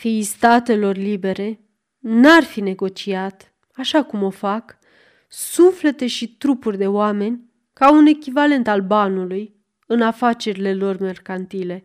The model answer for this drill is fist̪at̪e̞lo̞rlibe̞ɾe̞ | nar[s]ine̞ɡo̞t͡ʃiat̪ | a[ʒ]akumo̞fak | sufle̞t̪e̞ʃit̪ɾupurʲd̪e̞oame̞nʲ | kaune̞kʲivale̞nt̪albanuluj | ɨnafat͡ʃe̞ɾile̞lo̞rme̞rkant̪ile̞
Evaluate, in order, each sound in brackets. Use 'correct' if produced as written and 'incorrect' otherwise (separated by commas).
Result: incorrect, incorrect